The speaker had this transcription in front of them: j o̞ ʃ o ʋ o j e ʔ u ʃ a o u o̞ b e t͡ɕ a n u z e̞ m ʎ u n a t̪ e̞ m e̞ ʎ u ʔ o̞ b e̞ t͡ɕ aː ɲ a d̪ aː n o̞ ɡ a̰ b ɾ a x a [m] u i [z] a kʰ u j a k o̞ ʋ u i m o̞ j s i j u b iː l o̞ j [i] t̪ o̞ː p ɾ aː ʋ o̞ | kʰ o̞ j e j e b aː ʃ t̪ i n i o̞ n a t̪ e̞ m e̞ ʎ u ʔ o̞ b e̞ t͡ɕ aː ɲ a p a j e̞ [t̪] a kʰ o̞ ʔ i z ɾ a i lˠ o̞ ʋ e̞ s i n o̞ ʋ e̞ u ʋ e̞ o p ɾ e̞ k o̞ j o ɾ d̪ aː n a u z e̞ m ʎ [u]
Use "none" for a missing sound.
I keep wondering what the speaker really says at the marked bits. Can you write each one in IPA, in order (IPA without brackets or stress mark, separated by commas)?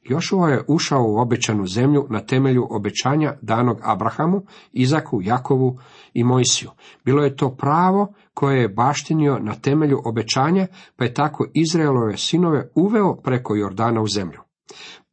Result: m, z, e, t̪, u